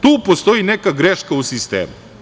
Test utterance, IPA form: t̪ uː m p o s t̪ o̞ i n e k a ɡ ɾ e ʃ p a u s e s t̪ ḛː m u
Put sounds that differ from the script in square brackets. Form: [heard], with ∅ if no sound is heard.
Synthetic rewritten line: t̪ uː [∅] p o s t̪ o̞ i n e k a ɡ ɾ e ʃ [k] a u s [i] s t̪ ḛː m u